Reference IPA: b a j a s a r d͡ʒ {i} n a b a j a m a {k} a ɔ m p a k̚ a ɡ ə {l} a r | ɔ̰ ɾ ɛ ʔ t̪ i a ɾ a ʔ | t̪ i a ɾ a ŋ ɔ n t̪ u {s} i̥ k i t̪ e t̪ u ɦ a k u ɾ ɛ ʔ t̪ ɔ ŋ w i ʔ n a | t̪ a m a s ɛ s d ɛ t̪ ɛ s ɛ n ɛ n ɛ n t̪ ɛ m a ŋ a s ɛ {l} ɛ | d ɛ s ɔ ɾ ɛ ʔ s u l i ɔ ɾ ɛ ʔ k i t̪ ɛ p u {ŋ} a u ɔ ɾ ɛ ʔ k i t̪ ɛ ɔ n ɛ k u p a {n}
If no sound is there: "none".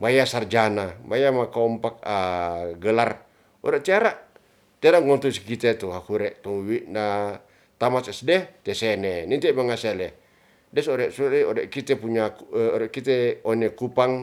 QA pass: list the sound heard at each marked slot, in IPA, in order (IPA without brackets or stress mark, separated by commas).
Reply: a, k, l, s, l, ɲ, ŋ